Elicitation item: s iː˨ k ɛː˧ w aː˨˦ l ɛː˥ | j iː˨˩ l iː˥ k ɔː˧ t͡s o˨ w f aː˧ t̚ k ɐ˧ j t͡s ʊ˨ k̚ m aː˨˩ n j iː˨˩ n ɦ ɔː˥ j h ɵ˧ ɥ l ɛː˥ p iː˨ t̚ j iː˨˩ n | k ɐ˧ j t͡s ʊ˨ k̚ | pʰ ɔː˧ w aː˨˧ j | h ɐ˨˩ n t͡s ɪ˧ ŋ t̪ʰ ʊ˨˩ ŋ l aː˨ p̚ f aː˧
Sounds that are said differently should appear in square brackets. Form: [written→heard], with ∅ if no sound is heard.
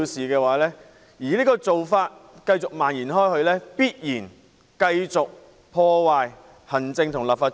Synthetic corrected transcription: s iː˨ k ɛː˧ w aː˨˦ l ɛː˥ | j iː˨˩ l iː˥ k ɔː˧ t͡s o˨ w f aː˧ t̚ k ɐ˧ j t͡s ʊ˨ k̚ m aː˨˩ n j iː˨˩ n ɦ ɔː˥ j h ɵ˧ ɥ l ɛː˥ p [iː˨→iː˥] t̚ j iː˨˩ n | k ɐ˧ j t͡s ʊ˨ k̚ | pʰ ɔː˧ w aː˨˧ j | h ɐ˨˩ n t͡s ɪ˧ ŋ t̪ʰ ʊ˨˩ ŋ l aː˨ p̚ f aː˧